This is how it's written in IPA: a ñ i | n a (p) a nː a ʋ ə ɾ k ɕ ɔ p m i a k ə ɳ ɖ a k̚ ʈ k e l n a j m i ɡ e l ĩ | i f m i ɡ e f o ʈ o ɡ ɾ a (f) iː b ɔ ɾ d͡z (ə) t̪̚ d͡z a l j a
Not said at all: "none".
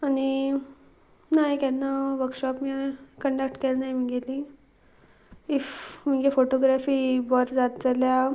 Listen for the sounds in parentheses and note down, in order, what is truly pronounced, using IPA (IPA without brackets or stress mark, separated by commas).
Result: k, f, a